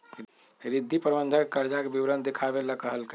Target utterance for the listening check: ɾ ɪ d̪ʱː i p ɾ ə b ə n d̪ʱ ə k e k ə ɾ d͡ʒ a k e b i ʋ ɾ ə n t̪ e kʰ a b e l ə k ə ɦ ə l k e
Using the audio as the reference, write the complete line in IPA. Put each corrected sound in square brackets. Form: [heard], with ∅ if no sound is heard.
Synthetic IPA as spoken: ɾ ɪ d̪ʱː i p ɾ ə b ə n d̪ʱ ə k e k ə ɾ d͡ʒ a k e b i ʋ ɾ ə n [d̪] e kʰ a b e l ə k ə ɦ ə l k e